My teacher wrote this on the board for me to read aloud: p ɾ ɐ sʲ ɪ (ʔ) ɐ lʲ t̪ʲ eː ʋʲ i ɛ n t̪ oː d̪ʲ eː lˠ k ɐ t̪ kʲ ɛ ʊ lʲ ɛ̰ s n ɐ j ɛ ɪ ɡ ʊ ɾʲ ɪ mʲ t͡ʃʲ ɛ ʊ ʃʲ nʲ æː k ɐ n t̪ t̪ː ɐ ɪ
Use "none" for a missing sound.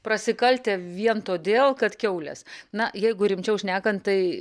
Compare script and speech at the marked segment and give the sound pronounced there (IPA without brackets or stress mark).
k